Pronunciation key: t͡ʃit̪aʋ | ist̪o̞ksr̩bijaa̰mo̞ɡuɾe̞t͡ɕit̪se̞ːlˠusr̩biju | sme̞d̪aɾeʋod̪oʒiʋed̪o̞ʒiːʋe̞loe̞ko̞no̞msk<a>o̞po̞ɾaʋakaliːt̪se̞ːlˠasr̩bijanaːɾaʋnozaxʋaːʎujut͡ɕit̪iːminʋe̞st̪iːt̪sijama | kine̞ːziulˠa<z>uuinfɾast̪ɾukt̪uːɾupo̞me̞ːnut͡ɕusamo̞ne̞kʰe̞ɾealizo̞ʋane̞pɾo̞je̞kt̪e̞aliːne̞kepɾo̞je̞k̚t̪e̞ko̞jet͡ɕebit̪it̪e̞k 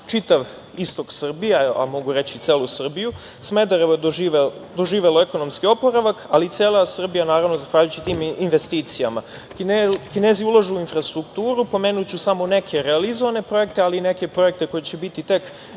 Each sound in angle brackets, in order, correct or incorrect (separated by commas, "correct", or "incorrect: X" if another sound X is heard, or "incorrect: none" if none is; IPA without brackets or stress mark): incorrect: i, incorrect: ʒ